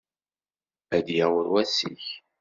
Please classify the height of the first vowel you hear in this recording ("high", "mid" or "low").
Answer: low